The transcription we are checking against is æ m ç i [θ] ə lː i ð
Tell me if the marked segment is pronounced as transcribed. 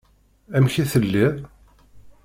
yes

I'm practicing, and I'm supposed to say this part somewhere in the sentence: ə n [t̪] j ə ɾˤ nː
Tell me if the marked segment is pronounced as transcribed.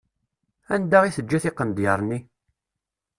no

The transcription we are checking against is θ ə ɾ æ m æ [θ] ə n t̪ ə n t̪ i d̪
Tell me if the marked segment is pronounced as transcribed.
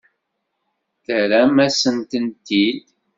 no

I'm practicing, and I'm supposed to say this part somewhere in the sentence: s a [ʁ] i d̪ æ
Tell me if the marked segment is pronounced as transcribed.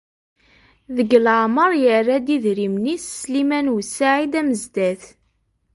no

